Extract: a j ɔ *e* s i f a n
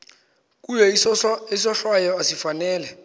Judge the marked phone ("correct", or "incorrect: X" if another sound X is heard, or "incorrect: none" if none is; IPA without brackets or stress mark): incorrect: a